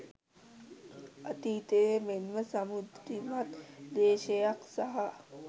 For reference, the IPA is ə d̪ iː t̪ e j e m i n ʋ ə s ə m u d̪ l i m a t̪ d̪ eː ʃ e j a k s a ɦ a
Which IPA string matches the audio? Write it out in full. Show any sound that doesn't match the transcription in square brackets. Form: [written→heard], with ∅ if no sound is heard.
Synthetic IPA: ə [d̪→t̪] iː t̪ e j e m [i→e] n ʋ ə s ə m u d̪ [l→ɾ] i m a t̪ d̪ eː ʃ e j a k s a ɦ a